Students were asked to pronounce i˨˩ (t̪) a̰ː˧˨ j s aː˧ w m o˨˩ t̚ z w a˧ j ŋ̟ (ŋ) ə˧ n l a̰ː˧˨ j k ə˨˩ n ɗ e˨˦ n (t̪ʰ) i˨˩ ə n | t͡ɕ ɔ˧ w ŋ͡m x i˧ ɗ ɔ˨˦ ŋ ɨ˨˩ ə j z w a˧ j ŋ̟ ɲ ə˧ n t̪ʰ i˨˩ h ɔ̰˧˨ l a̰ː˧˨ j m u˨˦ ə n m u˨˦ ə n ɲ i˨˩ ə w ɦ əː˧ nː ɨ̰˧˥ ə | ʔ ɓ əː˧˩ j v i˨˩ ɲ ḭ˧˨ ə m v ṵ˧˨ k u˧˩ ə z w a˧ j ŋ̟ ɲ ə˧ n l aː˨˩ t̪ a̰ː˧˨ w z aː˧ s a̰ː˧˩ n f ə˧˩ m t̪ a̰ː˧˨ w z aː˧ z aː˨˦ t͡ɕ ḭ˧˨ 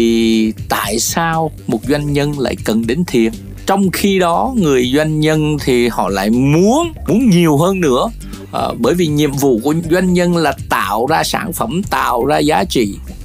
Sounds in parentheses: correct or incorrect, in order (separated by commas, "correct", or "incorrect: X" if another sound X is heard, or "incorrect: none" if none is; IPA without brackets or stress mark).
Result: correct, incorrect: ɲ, correct